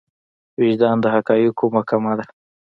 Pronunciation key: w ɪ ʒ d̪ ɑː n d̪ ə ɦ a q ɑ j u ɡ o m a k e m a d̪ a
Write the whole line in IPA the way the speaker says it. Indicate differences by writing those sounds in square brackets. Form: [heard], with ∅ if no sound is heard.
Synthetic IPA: w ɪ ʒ d̪ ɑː n d̪ ə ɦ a [k] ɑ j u [k] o m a k [a] m a d̪ a